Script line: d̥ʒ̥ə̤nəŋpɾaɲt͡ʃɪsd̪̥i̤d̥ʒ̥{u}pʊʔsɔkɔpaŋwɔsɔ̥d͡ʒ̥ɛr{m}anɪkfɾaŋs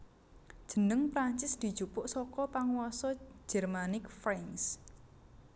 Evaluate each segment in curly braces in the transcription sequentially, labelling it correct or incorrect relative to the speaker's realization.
correct, correct

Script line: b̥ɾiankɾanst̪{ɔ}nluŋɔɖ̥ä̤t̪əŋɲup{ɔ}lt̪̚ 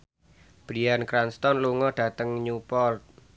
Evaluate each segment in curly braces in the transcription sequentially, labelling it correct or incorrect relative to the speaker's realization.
correct, correct

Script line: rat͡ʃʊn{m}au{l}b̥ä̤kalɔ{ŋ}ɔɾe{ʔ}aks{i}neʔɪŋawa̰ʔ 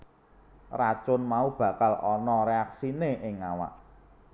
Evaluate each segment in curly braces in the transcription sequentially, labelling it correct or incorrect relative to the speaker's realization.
correct, incorrect: none, incorrect: n, incorrect: none, correct

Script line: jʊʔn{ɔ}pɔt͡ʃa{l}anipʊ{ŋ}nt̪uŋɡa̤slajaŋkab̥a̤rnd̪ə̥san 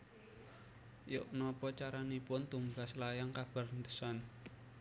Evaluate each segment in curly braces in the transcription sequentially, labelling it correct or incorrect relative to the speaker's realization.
correct, incorrect: ɾ, incorrect: none

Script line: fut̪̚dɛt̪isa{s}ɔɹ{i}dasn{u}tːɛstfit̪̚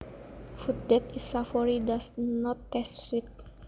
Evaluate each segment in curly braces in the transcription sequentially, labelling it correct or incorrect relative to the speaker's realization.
incorrect: f, correct, incorrect: ɔ

